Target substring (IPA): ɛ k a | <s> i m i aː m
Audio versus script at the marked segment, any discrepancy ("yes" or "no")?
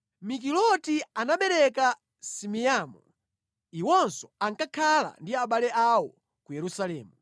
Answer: no